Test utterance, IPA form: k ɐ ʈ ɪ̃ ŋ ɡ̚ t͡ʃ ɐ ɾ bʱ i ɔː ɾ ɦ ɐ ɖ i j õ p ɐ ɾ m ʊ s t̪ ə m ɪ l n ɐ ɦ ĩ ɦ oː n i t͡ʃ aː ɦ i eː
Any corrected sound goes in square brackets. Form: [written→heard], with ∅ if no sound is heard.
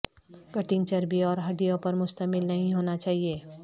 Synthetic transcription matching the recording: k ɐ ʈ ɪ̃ ŋ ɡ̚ t͡ʃ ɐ ɾ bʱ i ɔː ɾ ɦ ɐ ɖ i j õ p ɐ ɾ m ʊ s t̪ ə m ɪ l n ɐ ɦ ĩ ɦ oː n [i→a] t͡ʃ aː ɦ i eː

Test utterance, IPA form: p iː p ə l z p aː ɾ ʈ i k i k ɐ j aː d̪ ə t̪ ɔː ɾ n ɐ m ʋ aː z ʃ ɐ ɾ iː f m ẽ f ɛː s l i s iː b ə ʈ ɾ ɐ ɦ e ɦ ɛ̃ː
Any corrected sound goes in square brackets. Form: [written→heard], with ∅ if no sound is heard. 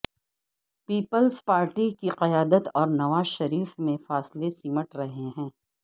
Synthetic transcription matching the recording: p iː p ə l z p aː ɾ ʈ i k i [k→q] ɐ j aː d̪ ə t̪ ɔː ɾ n ɐ [m→∅] ʋ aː z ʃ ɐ ɾ iː f m ẽ f [ɛː→aː] s l [i→e] s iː [b→m] ə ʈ ɾ ɐ ɦ e ɦ ɛ̃ː

